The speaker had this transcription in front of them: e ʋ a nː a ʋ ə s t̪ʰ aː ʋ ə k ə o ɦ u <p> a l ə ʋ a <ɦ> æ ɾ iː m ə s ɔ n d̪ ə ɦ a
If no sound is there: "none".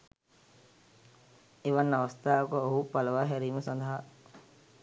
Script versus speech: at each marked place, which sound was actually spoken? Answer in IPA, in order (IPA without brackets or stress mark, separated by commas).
p, ɦ